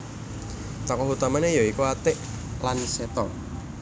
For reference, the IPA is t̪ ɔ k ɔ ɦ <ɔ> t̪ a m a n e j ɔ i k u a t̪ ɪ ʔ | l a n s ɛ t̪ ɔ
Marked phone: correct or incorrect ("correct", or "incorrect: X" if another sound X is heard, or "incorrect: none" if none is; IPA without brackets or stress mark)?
incorrect: u